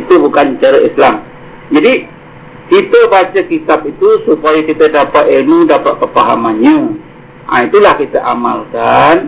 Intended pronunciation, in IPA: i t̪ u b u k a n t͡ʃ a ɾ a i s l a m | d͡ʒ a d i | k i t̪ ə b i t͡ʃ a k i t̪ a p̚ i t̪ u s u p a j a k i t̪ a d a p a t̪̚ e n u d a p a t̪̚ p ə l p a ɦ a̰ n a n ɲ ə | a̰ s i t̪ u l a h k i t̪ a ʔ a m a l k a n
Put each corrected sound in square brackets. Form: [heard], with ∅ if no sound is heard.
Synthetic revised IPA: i t̪ u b u k a n t͡ʃ a ɾ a i s l a m | d͡ʒ a d i | k i t̪ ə b [a] t͡ʃ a k i t̪ a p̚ i t̪ u s u p a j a k i t̪ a d a p a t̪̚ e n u d a p a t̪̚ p ə [∅] p a ɦ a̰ [m] a n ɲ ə | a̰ [∅] i t̪ u l a h k i t̪ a ʔ a m a l k a n